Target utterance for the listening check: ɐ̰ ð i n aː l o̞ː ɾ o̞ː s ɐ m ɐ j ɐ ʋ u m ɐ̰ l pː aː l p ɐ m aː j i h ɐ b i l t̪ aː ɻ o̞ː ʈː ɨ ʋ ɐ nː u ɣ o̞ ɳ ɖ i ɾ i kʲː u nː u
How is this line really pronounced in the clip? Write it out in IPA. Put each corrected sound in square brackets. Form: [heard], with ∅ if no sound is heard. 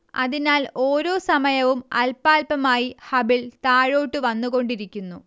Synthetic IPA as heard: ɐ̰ ð i n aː l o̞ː ɾ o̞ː s ɐ m ɐ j ɐ ʋ u m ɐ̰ l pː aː l p ɐ m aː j i h ɐ b i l t̪ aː ɻ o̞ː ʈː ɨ ʋ ɐ nː u ɣ o̞ ɳ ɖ i ɾ i kʲː u nː u

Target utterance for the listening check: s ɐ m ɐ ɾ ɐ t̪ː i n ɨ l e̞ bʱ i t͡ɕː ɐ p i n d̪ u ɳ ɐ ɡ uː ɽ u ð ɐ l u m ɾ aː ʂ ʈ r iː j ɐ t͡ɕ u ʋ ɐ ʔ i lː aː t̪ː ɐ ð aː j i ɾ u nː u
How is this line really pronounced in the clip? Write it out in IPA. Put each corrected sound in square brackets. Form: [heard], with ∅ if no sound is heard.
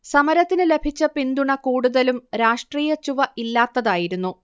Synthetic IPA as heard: s ɐ m ɐ ɾ ɐ t̪ː i n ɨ l e̞ bʱ i t͡ɕː ɐ p i n d̪ u ɳ ɐ [k] uː ɽ u ð ɐ l u m ɾ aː ʂ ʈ r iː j ɐ t͡ɕ u ʋ ɐ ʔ i lː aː t̪ː ɐ ð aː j i ɾ u nː u

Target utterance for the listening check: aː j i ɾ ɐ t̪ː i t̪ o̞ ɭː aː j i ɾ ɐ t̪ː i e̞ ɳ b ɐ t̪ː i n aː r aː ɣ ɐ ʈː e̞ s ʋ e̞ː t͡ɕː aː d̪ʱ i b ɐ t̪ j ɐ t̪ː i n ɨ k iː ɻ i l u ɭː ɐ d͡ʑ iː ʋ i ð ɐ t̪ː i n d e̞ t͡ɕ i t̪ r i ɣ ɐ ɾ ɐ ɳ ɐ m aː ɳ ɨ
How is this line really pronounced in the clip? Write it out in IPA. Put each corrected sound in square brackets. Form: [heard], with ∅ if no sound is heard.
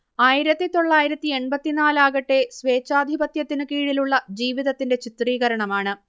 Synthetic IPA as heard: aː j i ɾ ɐ t̪ː i t̪ o̞ ɭː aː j i ɾ ɐ t̪ː i e̞ ɳ b ɐ t̪ː i n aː [l] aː ɣ ɐ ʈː e̞ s ʋ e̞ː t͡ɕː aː d̪ʱ i b ɐ t̪ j ɐ t̪ː i n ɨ k iː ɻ i l u ɭː ɐ d͡ʑ iː ʋ i ð ɐ t̪ː i n d e̞ t͡ɕ i t̪ r [iː] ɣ ɐ ɾ ɐ ɳ ɐ m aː ɳ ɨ

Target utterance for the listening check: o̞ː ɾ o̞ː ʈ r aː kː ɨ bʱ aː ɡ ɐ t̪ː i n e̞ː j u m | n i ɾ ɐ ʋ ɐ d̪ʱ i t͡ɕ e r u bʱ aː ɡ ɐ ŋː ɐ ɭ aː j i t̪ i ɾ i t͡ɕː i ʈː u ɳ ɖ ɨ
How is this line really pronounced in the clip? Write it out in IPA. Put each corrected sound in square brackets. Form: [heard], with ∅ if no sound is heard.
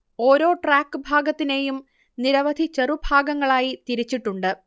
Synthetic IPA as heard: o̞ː ɾ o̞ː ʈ r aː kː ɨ bʱ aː ɡ ɐ t̪ː i n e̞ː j u m | n i ɾ ɐ ʋ ɐ d̪ʱ i t͡ɕ e r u bʱ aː ɡ ɐ ŋː ɐ ɭ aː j i t̪ i ɾ i t͡ɕː i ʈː u ɳ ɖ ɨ

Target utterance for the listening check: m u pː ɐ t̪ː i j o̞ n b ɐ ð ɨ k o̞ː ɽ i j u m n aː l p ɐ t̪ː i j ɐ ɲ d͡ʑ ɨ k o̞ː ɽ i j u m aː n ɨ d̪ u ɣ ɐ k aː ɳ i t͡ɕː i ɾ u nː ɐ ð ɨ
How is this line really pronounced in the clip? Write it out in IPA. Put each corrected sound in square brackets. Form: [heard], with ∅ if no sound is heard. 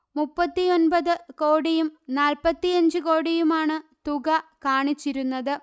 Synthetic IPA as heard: m u pː ɐ t̪ː i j o̞ n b ɐ ð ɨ k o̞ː ɽ i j u m n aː l p ɐ t̪ː i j ɐ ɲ d͡ʑ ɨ k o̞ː ɽ i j u m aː [ɳ] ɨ [t̪] u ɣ ɐ k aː ɳ i t͡ɕː i ɾ u nː ɐ ð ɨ

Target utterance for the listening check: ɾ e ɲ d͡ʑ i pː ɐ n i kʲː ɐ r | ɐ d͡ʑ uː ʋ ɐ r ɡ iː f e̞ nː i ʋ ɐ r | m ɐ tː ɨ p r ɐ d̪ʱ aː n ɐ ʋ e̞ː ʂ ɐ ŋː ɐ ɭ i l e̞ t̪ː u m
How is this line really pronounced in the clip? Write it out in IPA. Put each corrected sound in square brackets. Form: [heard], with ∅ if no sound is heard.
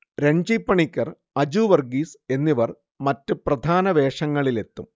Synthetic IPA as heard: ɾ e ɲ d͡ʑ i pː ɐ [ɳ] i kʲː ɐ r | ɐ d͡ʑ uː ʋ ɐ r ɡ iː [s] e̞ nː i ʋ ɐ r | m ɐ tː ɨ p r ɐ d̪ʱ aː n ɐ ʋ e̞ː ʂ ɐ ŋː ɐ ɭ i l e̞ t̪ː u m

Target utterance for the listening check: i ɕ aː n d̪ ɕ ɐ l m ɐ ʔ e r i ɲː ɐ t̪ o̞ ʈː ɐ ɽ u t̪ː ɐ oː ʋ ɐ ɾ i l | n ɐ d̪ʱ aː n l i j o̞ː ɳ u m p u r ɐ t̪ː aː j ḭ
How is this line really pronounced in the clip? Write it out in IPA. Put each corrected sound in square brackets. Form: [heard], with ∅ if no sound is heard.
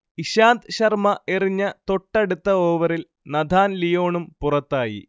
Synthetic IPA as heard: i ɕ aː n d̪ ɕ ɐ [r] m ɐ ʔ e r i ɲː ɐ t̪ o̞ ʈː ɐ ɽ u t̪ː ɐ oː ʋ ɐ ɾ i l | n ɐ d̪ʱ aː n l i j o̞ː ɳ u m p u r ɐ t̪ː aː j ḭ

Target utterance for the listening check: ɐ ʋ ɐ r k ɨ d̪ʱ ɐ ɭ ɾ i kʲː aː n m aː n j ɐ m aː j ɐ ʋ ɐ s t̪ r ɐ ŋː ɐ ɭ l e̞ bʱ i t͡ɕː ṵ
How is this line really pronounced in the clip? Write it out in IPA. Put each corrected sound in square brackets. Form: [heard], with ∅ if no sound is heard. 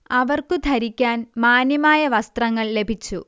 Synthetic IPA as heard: ɐ ʋ ɐ r k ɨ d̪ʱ ɐ [∅] ɾ i kʲː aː n m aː n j ɐ m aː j ɐ ʋ ɐ s t̪ r ɐ ŋː ɐ ɭ l e̞ bʱ i t͡ɕː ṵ

